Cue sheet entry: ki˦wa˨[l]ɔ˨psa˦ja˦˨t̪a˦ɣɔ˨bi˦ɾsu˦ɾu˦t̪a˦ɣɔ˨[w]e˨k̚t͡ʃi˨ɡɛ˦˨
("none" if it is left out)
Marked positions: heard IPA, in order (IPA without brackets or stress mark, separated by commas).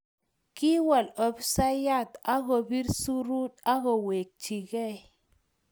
l, w